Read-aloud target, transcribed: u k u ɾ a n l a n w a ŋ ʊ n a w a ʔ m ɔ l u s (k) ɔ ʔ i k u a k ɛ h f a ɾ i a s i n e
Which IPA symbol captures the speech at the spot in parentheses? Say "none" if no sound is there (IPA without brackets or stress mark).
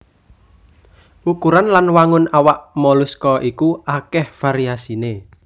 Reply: k